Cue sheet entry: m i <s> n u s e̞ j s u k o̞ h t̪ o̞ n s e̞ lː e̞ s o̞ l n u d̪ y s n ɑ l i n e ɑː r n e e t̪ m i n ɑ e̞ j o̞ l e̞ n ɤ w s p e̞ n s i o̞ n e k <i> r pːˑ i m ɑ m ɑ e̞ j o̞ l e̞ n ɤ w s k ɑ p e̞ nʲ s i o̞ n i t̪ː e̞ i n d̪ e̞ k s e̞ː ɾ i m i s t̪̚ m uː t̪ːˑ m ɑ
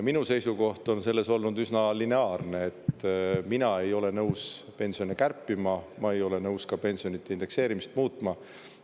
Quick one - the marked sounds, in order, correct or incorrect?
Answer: incorrect, incorrect

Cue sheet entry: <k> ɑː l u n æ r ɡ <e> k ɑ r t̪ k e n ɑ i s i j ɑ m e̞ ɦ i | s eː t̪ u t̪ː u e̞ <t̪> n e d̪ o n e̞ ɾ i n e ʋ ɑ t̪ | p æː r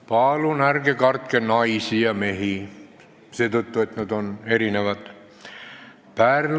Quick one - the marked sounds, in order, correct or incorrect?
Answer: incorrect, correct, correct

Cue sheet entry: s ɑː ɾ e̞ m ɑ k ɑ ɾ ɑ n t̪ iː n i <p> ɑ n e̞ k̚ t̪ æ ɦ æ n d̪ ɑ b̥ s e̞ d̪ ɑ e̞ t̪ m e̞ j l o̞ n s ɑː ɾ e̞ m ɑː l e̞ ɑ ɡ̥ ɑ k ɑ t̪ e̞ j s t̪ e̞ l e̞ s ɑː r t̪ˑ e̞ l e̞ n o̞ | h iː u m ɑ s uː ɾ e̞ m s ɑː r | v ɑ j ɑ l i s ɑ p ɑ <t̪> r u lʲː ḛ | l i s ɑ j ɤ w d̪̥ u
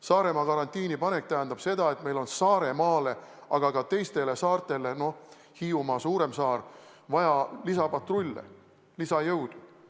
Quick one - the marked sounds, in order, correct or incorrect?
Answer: correct, correct

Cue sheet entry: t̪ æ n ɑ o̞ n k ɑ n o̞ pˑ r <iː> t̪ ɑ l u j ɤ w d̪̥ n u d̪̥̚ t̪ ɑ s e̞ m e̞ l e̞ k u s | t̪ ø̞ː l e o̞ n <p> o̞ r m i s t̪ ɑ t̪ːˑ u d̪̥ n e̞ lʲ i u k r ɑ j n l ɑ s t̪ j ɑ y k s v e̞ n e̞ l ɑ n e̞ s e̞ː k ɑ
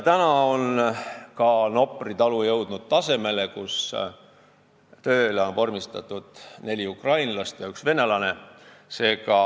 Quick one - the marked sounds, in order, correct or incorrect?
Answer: incorrect, correct

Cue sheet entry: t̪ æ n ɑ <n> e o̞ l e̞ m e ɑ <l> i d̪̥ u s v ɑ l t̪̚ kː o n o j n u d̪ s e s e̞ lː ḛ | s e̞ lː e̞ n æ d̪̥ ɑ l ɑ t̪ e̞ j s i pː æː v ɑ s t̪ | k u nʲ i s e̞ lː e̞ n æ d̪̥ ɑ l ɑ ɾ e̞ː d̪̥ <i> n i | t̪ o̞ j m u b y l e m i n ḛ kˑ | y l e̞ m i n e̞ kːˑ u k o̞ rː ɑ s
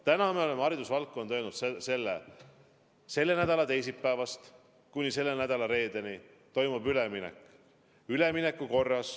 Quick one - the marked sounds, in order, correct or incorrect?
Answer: incorrect, incorrect, incorrect

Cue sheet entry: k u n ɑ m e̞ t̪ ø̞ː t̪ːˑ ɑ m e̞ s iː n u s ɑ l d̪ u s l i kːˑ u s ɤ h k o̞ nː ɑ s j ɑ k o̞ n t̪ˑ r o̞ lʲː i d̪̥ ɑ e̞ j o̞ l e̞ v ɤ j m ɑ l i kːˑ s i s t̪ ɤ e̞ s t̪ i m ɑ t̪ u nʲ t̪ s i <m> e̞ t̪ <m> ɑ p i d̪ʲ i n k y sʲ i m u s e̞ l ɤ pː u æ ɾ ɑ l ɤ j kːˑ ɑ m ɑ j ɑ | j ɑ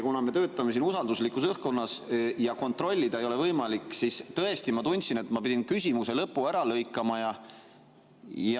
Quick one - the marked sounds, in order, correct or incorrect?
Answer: incorrect, correct

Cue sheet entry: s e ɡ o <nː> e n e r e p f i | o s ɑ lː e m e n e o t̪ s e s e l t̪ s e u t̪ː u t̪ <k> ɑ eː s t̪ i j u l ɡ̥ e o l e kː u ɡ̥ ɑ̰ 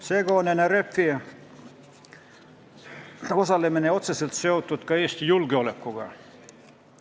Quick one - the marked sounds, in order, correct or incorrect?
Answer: incorrect, correct

